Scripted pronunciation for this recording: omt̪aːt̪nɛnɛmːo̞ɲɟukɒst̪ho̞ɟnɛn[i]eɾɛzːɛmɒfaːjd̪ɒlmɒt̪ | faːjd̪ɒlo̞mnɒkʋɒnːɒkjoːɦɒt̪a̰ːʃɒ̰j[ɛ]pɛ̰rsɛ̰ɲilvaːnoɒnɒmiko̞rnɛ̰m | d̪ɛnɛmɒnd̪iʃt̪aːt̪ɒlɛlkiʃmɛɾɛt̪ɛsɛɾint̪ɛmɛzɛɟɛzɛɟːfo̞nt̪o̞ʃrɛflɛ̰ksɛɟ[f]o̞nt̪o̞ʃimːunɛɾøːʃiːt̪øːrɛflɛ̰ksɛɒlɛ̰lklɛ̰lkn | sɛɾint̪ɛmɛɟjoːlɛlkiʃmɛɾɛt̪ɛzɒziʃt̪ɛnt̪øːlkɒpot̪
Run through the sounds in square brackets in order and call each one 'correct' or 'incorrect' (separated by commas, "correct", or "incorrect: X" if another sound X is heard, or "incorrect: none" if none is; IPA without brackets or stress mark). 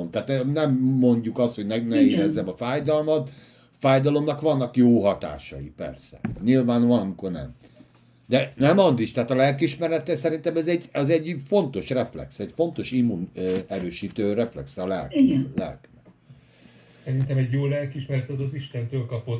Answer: incorrect: ɛ, incorrect: i, correct